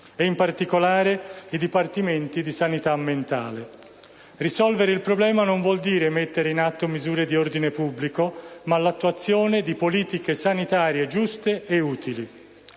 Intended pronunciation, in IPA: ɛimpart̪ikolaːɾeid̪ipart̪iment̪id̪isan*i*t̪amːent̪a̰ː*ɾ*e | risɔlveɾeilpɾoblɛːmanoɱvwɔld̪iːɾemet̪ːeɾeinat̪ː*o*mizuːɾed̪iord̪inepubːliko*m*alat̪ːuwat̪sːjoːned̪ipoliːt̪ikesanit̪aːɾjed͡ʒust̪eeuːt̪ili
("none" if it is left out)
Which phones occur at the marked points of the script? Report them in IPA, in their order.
i, l, o, m

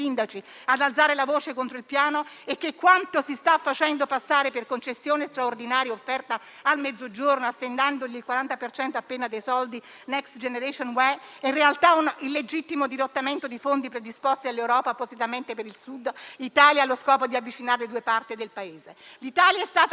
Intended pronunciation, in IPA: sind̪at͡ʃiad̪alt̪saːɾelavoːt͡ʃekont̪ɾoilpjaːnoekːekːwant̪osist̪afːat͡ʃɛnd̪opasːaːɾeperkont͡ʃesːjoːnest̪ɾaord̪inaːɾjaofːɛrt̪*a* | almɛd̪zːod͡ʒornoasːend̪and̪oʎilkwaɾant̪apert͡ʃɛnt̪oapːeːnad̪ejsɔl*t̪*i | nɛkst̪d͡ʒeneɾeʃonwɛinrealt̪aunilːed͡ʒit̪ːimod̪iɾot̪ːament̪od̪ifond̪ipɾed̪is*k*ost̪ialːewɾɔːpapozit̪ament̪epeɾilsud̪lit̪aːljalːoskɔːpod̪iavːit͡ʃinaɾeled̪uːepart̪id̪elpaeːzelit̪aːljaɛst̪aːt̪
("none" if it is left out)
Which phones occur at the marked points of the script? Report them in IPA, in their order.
a, d̪, p

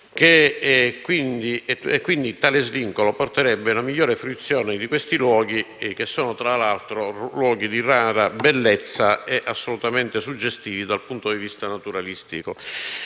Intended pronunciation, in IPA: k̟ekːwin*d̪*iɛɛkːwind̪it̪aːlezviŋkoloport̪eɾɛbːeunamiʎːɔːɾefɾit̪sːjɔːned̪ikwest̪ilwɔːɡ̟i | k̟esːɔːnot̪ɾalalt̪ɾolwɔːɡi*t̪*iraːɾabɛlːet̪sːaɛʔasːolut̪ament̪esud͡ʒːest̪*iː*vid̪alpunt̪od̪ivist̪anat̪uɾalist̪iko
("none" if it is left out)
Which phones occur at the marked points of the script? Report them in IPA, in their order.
d̪, d̪, iː

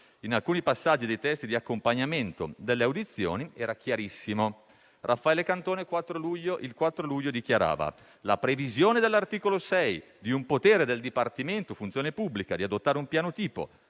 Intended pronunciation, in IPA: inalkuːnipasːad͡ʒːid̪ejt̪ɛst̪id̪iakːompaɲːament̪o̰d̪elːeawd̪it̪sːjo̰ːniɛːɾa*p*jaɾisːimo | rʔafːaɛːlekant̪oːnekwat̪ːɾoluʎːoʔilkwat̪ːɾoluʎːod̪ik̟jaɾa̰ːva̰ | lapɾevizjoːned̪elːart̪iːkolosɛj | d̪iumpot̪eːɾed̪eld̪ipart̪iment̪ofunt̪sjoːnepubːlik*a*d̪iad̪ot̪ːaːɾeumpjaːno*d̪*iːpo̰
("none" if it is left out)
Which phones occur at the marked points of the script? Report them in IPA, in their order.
k, a, t̪

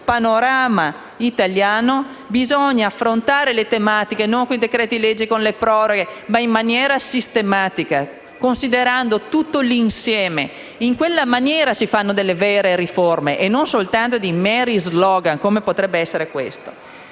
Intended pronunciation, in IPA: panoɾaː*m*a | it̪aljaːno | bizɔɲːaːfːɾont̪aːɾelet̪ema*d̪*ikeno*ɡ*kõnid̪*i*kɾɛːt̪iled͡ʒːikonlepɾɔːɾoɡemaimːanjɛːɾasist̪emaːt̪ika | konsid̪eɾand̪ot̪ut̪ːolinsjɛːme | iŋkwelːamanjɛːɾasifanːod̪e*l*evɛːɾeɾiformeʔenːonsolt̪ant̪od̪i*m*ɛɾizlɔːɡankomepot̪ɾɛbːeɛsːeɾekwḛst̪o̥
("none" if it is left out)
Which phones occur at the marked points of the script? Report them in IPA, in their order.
m, t̪, ŋ, e, lː, m

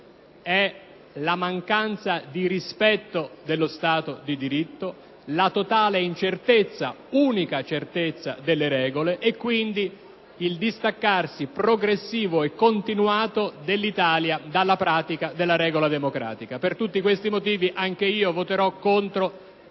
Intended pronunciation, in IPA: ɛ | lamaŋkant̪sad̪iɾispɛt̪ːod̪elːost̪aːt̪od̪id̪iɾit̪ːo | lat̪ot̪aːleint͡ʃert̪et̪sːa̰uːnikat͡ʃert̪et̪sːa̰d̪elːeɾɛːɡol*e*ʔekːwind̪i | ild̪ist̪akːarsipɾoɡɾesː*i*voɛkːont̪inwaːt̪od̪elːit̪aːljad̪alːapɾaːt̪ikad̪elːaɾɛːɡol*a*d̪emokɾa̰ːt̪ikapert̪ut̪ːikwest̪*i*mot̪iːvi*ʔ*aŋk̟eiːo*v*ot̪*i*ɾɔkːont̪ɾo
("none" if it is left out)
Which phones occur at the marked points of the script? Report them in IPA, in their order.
e, iː, a, i, ʔ, v, e

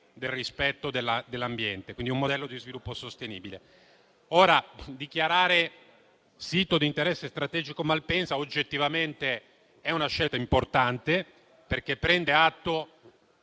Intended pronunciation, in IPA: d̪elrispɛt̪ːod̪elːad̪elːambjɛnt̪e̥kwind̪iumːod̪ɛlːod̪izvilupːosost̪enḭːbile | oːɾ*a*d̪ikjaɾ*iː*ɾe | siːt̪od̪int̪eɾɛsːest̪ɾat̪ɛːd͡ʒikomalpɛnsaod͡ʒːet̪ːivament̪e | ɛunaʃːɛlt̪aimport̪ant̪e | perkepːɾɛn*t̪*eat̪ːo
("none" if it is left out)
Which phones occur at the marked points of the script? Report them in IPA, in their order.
a, aː, d̪

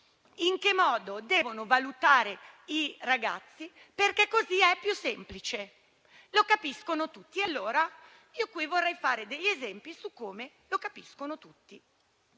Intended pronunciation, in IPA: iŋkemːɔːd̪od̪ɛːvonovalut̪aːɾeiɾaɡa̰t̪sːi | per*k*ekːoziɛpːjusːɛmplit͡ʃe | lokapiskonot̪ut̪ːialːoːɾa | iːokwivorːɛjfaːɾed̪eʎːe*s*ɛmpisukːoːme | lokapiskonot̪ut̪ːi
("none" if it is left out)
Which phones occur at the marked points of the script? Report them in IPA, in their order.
k, z

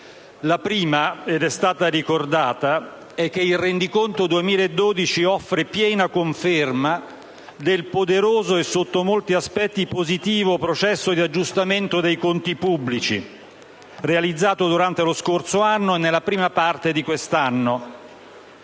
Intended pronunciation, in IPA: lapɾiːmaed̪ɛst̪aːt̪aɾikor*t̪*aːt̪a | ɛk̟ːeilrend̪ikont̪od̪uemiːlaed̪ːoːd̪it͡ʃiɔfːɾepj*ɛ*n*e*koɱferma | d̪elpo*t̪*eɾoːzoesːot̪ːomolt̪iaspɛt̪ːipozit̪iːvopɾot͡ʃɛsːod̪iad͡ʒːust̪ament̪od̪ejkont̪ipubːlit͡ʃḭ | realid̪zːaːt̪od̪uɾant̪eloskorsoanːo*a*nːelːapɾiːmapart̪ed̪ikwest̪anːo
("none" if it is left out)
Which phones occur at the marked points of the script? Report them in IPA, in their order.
d̪, ɛː, a, d̪, e

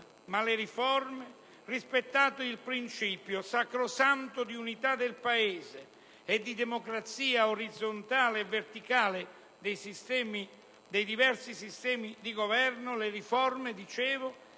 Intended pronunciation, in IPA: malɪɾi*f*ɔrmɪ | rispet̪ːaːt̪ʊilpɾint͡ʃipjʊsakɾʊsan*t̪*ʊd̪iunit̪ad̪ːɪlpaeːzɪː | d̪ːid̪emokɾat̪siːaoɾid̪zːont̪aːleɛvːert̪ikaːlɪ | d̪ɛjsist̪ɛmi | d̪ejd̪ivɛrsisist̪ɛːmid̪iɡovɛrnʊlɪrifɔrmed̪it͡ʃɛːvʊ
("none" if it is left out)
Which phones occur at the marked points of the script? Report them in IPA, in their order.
f, t̪

